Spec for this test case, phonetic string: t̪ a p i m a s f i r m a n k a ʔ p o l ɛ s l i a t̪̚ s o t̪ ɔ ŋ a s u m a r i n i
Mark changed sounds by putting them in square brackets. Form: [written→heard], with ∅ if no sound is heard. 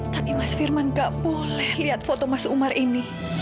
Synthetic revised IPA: t̪ a p i m a s f i r m a n [k→ɡ] a ʔ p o l ɛ [s→h] l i a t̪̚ [s→f] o t̪ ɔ [ŋ→m] a s u m a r i n i